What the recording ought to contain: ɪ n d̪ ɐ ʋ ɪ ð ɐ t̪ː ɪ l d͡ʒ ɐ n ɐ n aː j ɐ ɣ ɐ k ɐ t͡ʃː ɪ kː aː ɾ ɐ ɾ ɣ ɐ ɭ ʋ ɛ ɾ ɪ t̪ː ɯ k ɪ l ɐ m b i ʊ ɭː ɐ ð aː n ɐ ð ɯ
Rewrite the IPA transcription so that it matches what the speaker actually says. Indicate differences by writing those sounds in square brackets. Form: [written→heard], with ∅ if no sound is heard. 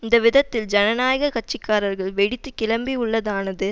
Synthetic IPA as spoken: ɪ n d̪ ɐ ʋ ɪ ð ɐ t̪ː ɪ l d͡ʒ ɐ n ɐ n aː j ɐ ɣ ɐ k ɐ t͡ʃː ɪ kː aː ɾ ɐ ɾ ɣ ɐ ɭ ʋ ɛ [ɾ→ɽ] ɪ t̪ː ɯ k ɪ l ɐ m b i ʊ ɭː ɐ ð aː n ɐ ð ɯ